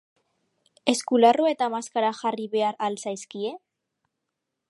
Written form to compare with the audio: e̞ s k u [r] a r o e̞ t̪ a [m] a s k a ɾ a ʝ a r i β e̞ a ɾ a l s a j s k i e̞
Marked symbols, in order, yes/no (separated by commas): no, yes